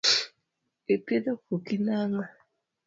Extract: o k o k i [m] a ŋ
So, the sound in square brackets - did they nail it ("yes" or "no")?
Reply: no